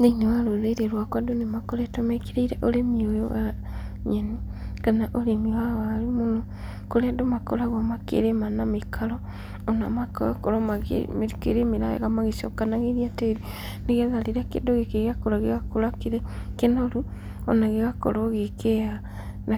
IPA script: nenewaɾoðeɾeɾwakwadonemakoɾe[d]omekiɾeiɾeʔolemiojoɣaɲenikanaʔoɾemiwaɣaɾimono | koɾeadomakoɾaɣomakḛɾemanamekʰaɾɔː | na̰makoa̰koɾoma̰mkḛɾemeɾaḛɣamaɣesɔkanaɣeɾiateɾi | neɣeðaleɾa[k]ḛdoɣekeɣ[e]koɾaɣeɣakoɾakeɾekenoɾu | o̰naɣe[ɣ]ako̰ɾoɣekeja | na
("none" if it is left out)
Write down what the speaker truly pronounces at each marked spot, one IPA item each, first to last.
t, k, a, ɣ

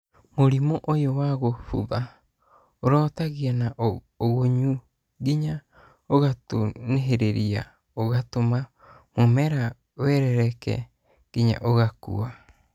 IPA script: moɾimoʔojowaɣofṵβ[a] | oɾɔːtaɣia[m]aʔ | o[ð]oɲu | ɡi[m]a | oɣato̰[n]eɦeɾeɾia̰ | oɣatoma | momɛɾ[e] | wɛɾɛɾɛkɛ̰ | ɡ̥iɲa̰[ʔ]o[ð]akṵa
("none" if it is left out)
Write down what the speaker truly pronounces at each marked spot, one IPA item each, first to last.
a, n, ɣ, ɲ, n, a, ʔ, ɣ

